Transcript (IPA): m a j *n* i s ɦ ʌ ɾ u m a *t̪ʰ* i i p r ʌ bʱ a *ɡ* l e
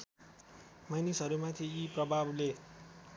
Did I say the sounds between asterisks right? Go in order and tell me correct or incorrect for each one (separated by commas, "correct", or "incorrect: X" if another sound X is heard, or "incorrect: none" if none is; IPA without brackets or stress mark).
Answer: correct, correct, incorrect: b